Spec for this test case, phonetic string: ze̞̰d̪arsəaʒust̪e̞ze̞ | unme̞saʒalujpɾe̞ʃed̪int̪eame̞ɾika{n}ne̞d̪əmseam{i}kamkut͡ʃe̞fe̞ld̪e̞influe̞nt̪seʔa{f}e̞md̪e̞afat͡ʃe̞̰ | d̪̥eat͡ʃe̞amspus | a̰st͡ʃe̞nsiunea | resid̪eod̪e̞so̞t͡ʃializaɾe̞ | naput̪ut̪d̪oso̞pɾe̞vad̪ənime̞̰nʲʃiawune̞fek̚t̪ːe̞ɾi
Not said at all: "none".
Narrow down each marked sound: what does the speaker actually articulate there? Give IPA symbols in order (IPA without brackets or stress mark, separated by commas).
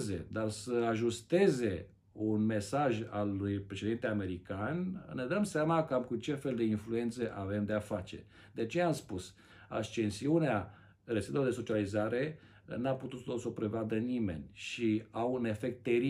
n, a, v